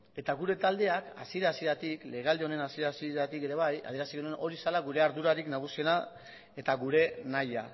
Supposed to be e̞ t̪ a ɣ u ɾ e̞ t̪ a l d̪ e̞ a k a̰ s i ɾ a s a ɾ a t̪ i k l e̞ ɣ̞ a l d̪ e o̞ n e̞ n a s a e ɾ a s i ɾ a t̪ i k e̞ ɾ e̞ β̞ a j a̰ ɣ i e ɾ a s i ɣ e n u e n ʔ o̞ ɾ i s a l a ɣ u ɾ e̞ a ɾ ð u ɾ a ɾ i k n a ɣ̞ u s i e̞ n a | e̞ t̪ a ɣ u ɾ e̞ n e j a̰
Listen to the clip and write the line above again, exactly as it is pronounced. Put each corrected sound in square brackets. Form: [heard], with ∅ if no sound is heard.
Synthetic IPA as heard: e̞ t̪ a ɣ u ɾ e̞ t̪ a l d̪ e̞ a k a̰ s i ɾ a s [i] ɾ a t̪ i k l e̞ ɣ̞ a l d̪ e o̞ n e̞ n a s [i] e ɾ a s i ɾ a t̪ i k e̞ ɾ e̞ β̞ a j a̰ [ð] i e ɾ a s i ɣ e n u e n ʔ o̞ ɾ i s a l a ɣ u ɾ e̞ a ɾ ð u ɾ a ɾ i k n a ɣ̞ u s i e̞ n a | e̞ t̪ a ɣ u ɾ e̞ n [a] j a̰